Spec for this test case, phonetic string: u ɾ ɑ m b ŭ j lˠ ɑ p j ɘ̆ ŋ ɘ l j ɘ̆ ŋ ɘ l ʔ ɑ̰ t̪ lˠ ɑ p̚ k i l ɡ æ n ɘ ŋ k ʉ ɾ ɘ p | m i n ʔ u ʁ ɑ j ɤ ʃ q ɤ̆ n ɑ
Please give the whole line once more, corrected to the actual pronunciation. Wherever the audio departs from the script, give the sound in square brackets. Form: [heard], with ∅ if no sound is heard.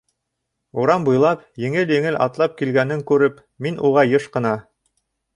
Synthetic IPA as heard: u ɾ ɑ m b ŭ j lˠ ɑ p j ɘ̆ ŋ ɘ l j ɘ̆ ŋ ɘ l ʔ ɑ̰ t̪ lˠ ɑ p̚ k i l ɡ æ n ɘ ŋ k ʉ ɾ ɘ p | m i n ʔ u ʁ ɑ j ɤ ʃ q ɤ̆ n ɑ

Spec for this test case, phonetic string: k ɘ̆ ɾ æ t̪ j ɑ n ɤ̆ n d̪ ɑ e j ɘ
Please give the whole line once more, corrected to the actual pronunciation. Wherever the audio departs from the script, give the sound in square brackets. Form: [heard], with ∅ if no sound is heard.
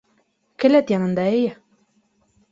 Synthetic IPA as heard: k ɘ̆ [l] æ t̪ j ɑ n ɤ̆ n d̪ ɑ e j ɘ

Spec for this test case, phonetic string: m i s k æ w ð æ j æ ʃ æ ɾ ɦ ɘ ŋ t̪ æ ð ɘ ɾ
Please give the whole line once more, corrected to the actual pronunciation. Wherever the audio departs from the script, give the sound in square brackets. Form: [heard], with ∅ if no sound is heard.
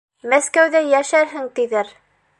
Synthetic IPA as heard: m [æ] s k æ w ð æ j æ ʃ æ ɾ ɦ ɘ ŋ t̪ [i] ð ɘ ɾ

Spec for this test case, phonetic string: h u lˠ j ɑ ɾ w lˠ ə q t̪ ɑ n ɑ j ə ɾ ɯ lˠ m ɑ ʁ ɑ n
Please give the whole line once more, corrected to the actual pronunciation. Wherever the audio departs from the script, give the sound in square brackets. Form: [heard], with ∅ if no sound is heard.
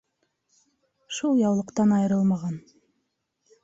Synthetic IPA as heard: [ʃ] u lˠ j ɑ [∅] w lˠ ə q t̪ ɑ n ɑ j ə ɾ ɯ lˠ m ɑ ʁ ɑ n

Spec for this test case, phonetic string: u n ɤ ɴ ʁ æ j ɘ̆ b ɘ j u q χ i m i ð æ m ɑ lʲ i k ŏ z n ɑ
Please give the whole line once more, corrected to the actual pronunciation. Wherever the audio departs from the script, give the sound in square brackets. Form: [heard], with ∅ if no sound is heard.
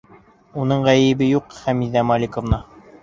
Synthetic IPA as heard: u n ɤ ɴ ʁ æ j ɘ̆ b ɘ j u q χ [æ] m i ð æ m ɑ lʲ i k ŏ [v] n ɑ

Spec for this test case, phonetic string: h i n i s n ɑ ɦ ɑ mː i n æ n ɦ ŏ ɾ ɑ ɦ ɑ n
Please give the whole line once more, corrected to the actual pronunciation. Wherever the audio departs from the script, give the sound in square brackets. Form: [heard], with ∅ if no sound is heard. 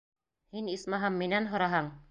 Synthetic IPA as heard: h i n i s [m] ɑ ɦ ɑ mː i n æ n ɦ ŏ ɾ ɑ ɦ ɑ [ɴ]

